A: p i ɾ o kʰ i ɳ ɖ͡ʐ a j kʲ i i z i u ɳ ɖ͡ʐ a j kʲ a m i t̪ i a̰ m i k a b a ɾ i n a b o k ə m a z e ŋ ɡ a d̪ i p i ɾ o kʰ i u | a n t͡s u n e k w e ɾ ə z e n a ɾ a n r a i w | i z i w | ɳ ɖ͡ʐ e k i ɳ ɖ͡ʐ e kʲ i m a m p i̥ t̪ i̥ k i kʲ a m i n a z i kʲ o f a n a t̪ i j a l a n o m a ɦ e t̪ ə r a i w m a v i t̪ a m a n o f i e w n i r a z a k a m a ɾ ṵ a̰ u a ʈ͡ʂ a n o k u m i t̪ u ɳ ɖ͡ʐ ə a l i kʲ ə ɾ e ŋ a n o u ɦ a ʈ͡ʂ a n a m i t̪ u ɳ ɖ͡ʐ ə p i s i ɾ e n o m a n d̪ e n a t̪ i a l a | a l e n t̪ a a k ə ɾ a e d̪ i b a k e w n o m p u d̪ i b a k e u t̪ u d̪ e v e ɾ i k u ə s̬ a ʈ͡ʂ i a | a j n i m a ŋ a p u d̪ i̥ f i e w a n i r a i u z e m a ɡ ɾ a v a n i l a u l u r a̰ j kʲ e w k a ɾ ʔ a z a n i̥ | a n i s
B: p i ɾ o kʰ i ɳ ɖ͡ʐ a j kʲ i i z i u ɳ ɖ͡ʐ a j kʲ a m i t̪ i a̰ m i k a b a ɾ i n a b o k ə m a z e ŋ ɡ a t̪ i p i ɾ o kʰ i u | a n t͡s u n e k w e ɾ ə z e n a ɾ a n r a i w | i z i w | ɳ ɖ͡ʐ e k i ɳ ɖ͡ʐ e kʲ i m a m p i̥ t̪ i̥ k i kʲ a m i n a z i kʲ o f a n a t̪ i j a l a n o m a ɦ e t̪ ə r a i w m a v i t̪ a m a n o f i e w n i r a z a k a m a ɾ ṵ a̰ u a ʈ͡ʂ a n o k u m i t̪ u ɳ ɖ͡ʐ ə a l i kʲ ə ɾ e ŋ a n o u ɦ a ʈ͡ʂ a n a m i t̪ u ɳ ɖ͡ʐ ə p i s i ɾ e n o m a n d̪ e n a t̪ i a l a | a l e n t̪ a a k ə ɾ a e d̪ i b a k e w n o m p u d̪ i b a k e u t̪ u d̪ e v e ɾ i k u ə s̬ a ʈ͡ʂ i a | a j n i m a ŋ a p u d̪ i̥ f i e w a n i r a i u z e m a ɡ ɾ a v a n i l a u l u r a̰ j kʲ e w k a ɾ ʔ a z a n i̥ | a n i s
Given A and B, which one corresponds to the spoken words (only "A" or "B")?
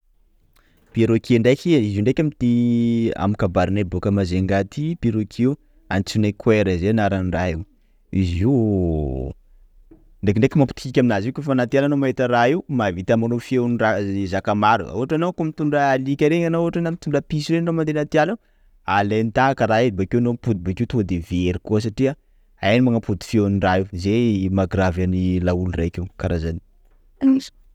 B